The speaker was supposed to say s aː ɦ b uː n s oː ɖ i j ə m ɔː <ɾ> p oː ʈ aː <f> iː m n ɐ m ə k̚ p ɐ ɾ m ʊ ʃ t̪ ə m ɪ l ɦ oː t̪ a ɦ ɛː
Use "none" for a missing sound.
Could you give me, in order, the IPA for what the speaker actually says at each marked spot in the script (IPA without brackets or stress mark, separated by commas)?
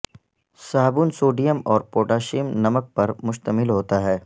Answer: ɾ, ʃ